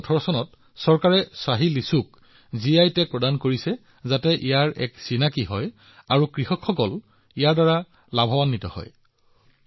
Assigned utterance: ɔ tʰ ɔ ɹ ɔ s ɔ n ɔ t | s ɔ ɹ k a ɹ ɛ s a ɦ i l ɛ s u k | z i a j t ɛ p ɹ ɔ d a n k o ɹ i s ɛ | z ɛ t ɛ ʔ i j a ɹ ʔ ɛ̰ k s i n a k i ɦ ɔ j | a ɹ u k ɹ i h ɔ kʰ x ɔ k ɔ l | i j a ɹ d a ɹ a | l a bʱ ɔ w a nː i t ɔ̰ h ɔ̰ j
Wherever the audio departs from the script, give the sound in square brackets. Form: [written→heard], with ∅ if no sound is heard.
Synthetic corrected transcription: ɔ tʰ ɔ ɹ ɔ s ɔ n ɔ t | s ɔ ɹ k a ɹ ɛ s a ɦ i l [ɛ→i] s u k | z i a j t ɛ p ɹ ɔ d a n k o ɹ i s ɛ | z [ɛ→a] t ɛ ʔ i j a ɹ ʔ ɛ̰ k s i n a k i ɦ ɔ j | a ɹ u k ɹ i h ɔ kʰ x ɔ k ɔ l | i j a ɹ d a ɹ a | l a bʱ ɔ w a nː i t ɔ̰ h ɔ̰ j

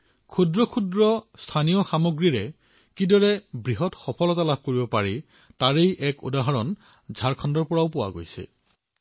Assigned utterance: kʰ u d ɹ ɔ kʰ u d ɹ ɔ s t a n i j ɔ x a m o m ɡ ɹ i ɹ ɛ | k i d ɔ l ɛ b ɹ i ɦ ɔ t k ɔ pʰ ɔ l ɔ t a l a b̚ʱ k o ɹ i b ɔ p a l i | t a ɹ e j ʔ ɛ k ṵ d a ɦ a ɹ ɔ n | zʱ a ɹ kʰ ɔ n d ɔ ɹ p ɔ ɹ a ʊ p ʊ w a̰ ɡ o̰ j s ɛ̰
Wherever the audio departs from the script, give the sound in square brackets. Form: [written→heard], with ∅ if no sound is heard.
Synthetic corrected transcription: kʰ u d ɹ ɔ kʰ u d ɹ ɔ s [t→tʰ] a n i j ɔ x a m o [m→∅] ɡ ɹ i ɹ ɛ | k i d ɔ [l→ɹ] ɛ b ɹ i ɦ ɔ t [k→x] ɔ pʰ ɔ l ɔ t a l a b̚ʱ k o ɹ i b ɔ p a [l→ɹ] i | t a ɹ e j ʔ ɛ k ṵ d a ɦ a ɹ ɔ n | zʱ a ɹ kʰ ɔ n d ɔ ɹ p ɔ ɹ a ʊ p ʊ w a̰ ɡ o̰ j s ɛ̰

